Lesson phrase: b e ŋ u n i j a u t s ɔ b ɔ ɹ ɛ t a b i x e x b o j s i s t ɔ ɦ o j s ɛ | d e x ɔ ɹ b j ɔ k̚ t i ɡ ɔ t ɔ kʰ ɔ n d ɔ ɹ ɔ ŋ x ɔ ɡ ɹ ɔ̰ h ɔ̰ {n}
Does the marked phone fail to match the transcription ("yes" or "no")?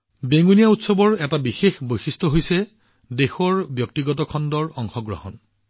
no